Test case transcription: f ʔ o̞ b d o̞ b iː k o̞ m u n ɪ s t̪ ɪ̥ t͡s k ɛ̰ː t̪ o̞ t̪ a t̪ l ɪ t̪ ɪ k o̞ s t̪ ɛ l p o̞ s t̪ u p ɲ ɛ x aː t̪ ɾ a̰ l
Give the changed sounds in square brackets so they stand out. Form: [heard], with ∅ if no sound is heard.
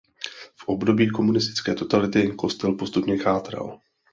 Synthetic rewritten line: f ʔ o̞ b d o̞ b iː k o̞ m u n ɪ s t̪ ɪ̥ t͡s k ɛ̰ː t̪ o̞ t̪ a [∅] l ɪ t̪ ɪ k o̞ s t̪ ɛ l p o̞ s t̪ u p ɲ ɛ x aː t̪ ɾ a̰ l